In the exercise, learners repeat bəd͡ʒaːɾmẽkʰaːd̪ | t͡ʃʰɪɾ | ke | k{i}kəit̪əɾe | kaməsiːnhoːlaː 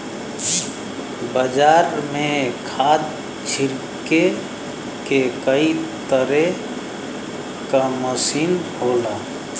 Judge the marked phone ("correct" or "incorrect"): incorrect